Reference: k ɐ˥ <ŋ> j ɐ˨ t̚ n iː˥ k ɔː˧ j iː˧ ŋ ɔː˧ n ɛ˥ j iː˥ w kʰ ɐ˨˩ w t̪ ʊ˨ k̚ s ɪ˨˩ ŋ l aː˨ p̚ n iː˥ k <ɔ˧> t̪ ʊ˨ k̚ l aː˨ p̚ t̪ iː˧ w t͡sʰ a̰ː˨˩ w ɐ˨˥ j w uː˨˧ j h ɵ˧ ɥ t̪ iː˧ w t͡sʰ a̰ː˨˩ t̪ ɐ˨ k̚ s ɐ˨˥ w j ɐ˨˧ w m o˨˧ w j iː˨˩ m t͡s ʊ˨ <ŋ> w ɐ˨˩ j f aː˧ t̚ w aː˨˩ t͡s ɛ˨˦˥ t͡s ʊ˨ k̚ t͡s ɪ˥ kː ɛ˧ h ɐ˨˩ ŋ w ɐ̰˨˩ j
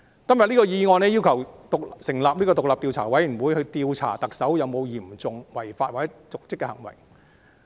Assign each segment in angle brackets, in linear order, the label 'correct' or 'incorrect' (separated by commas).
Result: incorrect, correct, correct